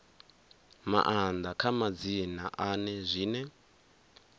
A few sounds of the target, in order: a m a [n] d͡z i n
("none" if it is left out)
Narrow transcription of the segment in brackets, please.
none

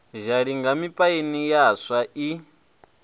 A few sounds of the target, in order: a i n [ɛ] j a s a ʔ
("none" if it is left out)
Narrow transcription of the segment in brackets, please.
i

